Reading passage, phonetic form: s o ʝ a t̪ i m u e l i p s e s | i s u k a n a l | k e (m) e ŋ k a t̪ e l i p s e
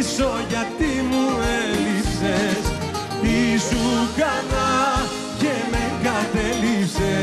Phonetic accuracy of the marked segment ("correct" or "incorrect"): correct